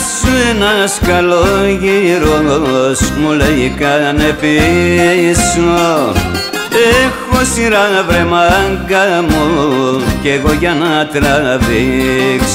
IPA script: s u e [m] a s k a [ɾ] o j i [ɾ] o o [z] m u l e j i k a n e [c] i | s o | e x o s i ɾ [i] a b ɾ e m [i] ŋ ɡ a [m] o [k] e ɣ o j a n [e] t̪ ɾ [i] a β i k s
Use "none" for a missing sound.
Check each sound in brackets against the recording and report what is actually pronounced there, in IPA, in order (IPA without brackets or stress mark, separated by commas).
n, l, ɾ, s, p, a, a, m, k, a, a